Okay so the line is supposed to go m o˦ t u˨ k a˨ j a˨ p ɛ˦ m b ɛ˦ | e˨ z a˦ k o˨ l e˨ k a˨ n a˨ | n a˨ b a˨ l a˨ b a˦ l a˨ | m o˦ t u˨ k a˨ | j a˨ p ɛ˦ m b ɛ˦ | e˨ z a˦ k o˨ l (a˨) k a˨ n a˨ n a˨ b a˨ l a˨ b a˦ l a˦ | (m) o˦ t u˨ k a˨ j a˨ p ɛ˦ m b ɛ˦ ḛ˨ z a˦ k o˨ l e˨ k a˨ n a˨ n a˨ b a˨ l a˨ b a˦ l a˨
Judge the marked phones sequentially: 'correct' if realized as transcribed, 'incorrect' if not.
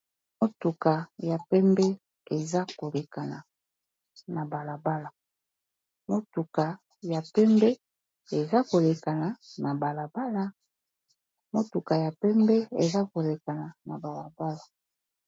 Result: incorrect: e˨, correct

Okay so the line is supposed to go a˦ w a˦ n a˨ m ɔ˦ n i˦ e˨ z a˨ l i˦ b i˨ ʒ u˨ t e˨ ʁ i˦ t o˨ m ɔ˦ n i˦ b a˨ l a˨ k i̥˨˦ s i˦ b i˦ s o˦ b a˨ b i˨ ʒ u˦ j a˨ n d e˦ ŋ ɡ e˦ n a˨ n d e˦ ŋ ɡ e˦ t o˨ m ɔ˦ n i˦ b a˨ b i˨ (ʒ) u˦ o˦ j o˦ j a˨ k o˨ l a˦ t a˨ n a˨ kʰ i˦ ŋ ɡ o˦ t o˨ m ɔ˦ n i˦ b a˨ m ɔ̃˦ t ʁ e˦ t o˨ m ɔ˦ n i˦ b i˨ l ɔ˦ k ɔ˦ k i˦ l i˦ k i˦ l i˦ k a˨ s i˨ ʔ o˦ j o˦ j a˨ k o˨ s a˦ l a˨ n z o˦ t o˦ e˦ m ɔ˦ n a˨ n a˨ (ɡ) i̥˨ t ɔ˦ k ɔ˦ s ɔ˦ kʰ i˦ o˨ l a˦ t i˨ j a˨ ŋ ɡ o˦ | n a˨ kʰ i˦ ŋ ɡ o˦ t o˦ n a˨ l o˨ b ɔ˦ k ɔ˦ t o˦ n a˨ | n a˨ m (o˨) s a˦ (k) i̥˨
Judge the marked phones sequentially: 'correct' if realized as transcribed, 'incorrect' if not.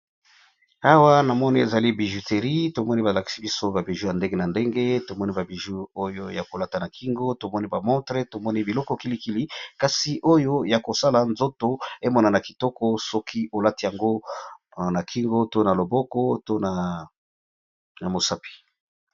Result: correct, incorrect: k, correct, incorrect: p

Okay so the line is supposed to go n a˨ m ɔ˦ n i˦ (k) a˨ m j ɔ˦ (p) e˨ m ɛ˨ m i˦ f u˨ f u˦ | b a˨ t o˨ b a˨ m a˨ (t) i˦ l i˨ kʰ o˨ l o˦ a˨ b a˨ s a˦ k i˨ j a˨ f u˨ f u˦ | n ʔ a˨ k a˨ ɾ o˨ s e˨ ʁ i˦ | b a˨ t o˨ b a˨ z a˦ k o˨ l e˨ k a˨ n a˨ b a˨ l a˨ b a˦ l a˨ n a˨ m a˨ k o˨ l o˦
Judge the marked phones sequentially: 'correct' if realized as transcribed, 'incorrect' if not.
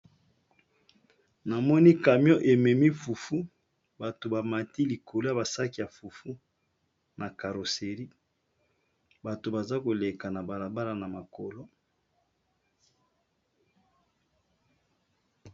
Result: correct, incorrect: ʔ, correct

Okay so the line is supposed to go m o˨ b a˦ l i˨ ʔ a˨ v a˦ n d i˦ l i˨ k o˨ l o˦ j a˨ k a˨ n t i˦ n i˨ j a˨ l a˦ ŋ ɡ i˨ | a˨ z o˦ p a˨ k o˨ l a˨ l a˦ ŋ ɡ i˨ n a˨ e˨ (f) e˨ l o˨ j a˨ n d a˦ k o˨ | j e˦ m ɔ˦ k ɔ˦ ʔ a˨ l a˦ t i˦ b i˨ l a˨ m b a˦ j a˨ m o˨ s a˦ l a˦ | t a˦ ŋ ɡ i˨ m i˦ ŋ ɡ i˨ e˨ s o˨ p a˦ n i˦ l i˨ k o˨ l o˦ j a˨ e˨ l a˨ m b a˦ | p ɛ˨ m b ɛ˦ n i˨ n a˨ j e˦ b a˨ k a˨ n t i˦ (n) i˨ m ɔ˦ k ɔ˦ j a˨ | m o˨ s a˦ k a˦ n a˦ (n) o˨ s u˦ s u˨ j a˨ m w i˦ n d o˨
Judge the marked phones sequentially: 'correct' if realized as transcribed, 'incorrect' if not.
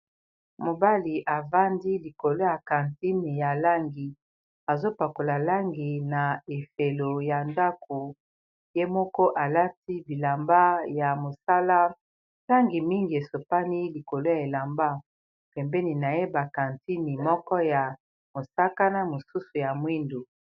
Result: correct, correct, incorrect: m

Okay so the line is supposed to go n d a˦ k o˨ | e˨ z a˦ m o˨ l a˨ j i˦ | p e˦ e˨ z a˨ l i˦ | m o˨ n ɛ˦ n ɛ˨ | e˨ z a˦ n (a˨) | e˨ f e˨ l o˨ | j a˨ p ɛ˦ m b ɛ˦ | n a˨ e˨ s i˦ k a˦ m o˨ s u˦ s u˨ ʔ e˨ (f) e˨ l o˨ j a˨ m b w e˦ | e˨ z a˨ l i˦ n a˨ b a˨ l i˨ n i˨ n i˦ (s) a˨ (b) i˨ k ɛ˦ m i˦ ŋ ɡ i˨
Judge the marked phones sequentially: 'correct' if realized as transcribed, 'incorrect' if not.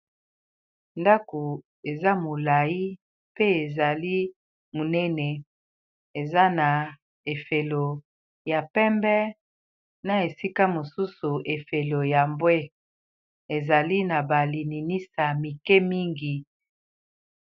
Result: correct, correct, correct, incorrect: m

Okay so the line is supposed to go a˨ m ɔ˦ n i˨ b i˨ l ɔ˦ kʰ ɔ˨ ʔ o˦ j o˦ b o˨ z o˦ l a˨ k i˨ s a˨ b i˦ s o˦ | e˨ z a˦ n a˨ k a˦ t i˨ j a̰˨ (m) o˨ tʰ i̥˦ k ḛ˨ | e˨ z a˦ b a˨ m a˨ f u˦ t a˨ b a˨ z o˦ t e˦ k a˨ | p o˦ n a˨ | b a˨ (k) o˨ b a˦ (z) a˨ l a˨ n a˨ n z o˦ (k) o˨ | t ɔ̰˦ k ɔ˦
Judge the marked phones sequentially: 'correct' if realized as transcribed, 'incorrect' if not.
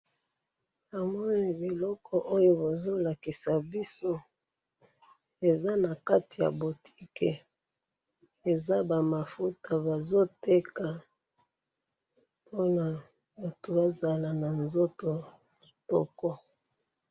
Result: incorrect: b, incorrect: t, correct, incorrect: t

